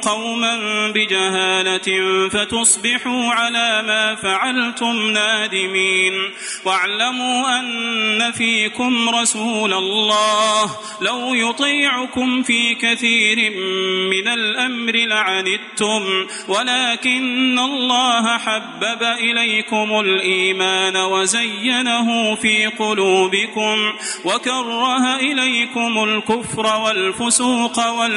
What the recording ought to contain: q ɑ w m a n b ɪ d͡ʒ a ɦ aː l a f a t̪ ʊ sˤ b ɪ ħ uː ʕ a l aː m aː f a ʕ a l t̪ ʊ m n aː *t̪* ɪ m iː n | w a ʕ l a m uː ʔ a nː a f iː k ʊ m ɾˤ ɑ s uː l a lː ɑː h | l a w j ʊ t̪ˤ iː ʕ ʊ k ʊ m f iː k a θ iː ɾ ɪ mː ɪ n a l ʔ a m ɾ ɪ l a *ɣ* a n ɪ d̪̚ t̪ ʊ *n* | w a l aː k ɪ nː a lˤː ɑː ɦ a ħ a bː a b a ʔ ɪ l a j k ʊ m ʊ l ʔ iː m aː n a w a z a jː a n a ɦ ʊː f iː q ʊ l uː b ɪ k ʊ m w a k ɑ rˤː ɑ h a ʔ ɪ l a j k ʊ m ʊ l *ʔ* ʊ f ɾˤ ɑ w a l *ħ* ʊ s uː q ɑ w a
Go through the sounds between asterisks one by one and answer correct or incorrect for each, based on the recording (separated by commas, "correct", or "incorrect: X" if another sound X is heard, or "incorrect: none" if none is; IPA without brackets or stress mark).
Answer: incorrect: d̪, incorrect: ʕ, incorrect: m, incorrect: k, incorrect: f